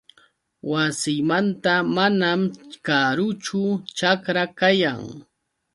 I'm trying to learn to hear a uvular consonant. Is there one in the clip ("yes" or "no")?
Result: no